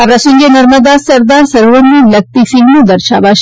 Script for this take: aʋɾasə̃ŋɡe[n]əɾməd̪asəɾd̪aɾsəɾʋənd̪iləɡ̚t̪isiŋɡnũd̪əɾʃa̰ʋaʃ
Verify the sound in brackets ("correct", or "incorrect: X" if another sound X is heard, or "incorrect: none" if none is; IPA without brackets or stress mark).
correct